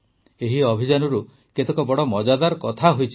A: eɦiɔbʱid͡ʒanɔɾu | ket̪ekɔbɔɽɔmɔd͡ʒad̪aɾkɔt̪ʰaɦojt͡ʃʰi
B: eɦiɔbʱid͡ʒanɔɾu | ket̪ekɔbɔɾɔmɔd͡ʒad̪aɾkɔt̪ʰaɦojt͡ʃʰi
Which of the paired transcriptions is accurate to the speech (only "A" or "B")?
A